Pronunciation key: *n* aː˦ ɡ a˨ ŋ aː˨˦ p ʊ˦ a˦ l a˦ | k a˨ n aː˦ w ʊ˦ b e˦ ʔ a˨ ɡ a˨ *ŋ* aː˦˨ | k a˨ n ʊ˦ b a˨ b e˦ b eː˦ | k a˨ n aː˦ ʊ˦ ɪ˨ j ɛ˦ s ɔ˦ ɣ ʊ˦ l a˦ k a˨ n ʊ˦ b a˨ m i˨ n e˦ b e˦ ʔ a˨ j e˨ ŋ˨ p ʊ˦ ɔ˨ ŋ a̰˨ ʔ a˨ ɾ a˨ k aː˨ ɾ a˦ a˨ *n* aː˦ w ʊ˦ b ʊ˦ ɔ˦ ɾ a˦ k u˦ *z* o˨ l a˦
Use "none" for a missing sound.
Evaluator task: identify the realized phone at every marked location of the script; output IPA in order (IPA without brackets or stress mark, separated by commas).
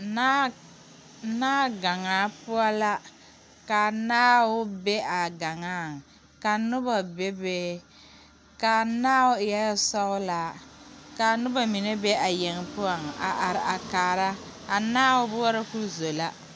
n, ŋ, n, z